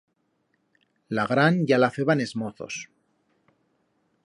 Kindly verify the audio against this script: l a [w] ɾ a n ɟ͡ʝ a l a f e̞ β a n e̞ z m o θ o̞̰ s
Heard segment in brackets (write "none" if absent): ɣ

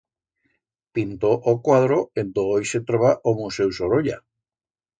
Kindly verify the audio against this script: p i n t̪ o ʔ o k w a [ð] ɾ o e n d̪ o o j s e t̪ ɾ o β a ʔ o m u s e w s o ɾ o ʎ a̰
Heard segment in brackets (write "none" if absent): ð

